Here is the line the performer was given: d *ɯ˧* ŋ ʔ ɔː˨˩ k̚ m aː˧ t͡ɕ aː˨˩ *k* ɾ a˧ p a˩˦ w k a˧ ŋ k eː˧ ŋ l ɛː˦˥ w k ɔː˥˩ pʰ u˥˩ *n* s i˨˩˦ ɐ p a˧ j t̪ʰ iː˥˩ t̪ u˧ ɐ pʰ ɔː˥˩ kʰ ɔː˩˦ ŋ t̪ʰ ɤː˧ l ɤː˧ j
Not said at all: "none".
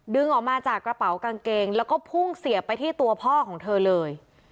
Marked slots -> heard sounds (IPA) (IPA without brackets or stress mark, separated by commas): ɯ˧, k, ŋ